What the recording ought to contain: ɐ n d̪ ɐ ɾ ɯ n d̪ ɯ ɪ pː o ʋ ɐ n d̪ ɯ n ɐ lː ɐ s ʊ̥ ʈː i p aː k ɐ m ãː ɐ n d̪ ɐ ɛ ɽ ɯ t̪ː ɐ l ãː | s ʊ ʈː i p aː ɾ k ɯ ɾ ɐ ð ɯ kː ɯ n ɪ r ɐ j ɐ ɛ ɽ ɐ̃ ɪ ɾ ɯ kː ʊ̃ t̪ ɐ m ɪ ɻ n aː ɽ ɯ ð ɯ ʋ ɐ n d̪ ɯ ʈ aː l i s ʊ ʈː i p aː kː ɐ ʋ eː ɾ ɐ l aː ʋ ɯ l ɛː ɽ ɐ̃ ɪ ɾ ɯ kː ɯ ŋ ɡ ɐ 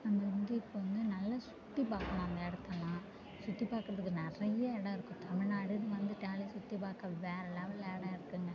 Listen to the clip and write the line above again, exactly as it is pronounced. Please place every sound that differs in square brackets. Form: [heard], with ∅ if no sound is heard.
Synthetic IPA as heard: ɐ n d̪ ɐ ɾ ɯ n d̪ ɯ ɪ pː o ʋ ɐ n d̪ ɯ n ɐ lː ɐ s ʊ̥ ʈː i p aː k ɐ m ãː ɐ n d̪ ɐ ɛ ɽ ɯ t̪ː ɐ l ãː | s ʊ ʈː i p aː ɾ k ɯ ɾ ɐ ð ɯ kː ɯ n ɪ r ɐ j ɐ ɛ ɽ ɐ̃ ɪ ɾ ɯ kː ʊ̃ t̪ ɐ m ɪ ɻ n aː ɽ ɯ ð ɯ ʋ ɐ n d̪ ɯ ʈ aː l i s ʊ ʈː i p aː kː ɐ ʋ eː ɾ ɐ l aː ʋ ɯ l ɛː ɽ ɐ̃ ɪ ɾ ɯ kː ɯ ŋ ɡ ɐ

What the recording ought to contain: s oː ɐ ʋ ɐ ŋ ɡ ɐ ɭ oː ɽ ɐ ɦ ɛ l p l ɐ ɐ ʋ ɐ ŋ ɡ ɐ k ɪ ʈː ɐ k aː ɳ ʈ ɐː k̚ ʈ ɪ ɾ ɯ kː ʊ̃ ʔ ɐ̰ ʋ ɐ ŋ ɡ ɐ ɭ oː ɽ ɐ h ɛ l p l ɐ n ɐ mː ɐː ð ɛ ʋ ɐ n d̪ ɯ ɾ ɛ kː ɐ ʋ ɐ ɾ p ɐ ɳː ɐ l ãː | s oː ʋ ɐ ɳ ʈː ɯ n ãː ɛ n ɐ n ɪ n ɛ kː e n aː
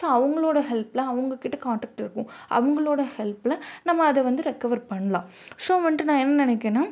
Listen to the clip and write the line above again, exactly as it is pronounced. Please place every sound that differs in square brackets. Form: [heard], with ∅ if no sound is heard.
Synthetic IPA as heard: s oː ɐ ʋ ɐ ŋ ɡ ɐ ɭ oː ɽ ɐ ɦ ɛ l p l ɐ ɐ ʋ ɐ ŋ ɡ ɐ k ɪ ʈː ɐ k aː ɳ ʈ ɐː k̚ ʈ ɪ ɾ ɯ kː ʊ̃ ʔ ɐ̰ ʋ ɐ ŋ ɡ ɐ ɭ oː ɽ ɐ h ɛ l p l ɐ n ɐ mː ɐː ð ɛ ʋ ɐ n d̪ ɯ ɾ ɛ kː ɐ ʋ ɐ ɾ p ɐ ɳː ɐ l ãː | s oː ʋ ɐ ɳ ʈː ɯ n ãː ɛ [nː] ɐ n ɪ n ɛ kː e n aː

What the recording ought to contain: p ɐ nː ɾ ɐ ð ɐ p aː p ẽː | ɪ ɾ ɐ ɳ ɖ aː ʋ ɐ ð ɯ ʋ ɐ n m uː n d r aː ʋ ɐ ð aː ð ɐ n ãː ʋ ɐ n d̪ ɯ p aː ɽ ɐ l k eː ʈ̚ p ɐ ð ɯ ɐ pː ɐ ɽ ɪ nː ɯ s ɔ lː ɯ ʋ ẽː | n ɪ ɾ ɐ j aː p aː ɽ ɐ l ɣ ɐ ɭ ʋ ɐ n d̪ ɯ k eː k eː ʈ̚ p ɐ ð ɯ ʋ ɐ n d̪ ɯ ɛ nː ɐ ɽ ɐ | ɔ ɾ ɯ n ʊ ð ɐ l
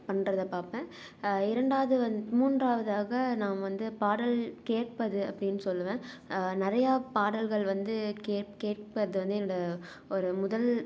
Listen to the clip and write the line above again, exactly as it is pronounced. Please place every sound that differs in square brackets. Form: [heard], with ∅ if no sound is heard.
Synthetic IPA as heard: p ɐ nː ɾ ɐ ð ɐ p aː p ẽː | ɪ ɾ ɐ ɳ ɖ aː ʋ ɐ ð ɯ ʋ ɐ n m uː n d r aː ʋ ɐ ð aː [ɣ] ɐ n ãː ʋ ɐ n d̪ ɯ p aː ɽ ɐ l k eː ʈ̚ p ɐ ð ɯ ɐ pː ɐ ɽ ɪ nː ɯ s ɔ lː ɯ ʋ ẽː | n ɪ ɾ ɐ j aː p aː ɽ ɐ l ɣ ɐ ɭ ʋ ɐ n d̪ ɯ k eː k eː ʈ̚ p ɐ ð ɯ ʋ ɐ n d̪ ɯ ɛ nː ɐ ɽ ɐ | ɔ ɾ ɯ [m] ʊ ð ɐ l

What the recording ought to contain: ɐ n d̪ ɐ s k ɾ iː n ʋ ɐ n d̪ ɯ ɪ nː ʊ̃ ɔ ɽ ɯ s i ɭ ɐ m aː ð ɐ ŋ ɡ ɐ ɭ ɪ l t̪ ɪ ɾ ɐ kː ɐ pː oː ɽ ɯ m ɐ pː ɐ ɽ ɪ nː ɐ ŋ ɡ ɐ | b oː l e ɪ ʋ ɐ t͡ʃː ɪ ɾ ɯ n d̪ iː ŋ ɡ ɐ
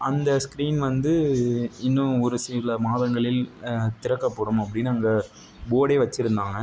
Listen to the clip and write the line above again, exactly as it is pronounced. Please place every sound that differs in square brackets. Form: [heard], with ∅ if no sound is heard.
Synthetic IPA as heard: ɐ n d̪ ɐ s k ɾ iː n ʋ ɐ n d̪ ɯ ɪ nː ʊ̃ ɔ [ɾ] ɯ s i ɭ ɐ m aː ð ɐ ŋ ɡ ɐ ɭ ɪ l t̪ ɪ ɾ ɐ kː ɐ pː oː ɽ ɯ m ɐ pː ɐ ɽ ɪ nː ɐ ŋ ɡ ɐ | b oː [ɽ] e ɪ ʋ ɐ t͡ʃː ɪ ɾ ɯ n d̪ [aː] ŋ ɡ ɐ

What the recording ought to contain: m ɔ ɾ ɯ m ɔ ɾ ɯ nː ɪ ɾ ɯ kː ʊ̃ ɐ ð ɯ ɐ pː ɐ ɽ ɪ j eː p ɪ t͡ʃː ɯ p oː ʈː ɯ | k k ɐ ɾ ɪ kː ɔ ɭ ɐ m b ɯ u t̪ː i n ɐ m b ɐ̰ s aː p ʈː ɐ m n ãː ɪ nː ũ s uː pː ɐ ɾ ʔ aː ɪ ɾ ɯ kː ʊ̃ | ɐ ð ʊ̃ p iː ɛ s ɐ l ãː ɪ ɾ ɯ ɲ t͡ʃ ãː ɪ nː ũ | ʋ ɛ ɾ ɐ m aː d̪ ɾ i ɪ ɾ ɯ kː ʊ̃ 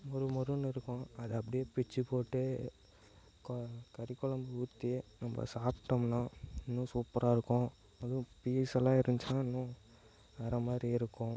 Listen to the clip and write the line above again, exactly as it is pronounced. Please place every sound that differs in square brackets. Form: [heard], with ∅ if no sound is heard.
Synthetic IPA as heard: m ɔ ɾ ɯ m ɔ ɾ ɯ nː ɪ ɾ ɯ kː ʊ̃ ɐ ð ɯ ɐ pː ɐ ɽ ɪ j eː p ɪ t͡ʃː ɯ p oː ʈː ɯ | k k ɐ ɾ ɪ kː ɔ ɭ ɐ m b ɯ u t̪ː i n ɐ m b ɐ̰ s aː p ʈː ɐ m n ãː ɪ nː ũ s uː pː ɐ ɾ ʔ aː ɪ ɾ ɯ kː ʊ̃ | ɐ ð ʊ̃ p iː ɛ s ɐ l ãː ɪ ɾ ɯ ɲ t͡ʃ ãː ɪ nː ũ | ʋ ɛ ɾ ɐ m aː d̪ ɾ i ɪ ɾ ɯ kː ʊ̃

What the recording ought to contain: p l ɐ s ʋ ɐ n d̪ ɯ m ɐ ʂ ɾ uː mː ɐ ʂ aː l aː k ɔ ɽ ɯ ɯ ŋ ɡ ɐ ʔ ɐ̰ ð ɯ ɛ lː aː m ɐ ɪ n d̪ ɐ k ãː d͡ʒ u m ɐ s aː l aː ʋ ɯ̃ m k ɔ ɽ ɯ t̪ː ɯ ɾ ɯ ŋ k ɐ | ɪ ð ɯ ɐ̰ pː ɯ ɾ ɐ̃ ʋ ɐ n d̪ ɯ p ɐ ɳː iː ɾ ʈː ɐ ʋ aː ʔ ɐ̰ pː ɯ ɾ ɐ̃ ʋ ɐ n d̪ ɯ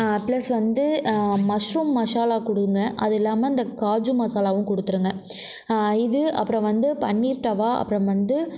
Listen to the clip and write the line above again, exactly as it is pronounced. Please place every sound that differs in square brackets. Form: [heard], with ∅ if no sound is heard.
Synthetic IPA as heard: p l ɐ s ʋ ɐ n d̪ ɯ m ɐ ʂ ɾ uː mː ɐ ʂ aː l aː k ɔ ɽ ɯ ɯ ŋ ɡ ɐ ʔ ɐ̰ ð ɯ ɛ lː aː m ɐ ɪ n d̪ ɐ k [aː] d͡ʒ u m ɐ s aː l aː ʋ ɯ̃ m k ɔ ɽ ɯ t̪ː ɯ ɾ ɯ ŋ [ɡ] ɐ | ɪ ð ɯ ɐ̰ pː ɯ ɾ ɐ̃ ʋ ɐ n d̪ ɯ p ɐ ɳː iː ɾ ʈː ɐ ʋ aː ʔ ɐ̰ pː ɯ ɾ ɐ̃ ʋ ɐ n d̪ ɯ

